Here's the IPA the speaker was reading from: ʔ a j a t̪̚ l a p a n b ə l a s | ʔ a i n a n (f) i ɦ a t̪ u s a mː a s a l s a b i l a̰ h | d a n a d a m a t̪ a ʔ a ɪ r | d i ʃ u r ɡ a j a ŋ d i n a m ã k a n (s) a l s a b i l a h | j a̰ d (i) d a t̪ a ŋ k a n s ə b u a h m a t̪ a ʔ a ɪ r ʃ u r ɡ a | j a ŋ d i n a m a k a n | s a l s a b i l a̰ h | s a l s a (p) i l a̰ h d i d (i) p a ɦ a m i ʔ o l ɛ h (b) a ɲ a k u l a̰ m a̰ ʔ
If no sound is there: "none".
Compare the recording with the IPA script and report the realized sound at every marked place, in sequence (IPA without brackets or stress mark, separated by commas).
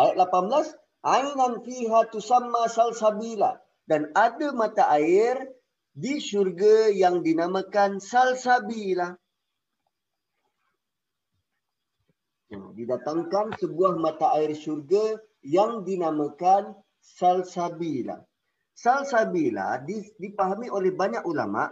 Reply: f, s, i, b, i, b